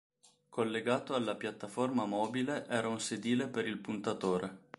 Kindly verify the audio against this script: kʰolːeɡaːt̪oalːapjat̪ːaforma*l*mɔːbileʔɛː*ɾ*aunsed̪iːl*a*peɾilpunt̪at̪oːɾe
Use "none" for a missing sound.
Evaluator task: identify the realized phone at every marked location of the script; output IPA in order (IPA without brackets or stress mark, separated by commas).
none, ɾ, e